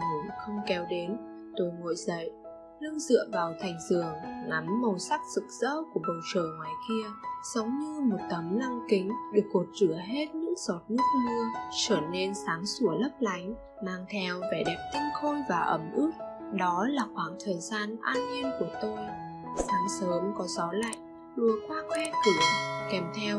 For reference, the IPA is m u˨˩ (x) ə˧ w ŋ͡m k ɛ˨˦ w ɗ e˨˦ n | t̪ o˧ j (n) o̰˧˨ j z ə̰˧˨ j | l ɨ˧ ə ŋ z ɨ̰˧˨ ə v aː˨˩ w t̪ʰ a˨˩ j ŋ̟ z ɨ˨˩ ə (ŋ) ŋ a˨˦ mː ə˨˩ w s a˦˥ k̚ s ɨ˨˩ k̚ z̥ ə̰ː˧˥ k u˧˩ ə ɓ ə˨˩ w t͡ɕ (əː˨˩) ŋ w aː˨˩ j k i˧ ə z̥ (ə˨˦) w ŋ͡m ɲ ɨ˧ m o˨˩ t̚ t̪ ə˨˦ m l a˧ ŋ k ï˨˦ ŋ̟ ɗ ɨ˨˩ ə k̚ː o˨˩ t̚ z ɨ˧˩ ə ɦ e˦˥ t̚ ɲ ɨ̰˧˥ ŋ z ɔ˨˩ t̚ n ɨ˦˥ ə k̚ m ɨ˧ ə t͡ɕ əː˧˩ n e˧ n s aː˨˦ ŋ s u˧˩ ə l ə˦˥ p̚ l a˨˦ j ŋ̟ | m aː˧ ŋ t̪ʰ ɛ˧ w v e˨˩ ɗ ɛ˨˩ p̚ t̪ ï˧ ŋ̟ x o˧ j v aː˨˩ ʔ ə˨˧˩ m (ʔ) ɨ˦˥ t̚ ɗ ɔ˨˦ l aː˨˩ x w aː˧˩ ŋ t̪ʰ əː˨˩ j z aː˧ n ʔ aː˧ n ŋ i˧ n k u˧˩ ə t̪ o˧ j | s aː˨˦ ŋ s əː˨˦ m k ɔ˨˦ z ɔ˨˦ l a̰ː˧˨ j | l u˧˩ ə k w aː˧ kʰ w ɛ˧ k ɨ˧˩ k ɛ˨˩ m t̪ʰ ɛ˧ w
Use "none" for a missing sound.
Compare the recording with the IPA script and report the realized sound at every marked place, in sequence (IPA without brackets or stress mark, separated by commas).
x, ŋ, ŋ, əː˨˩, ə˨˦, ʔ